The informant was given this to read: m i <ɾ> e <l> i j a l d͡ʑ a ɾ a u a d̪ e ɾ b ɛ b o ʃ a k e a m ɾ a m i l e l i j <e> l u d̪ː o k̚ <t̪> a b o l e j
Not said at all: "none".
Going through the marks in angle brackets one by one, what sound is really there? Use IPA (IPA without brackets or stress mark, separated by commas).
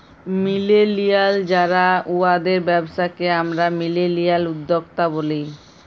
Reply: l, l, a, t̪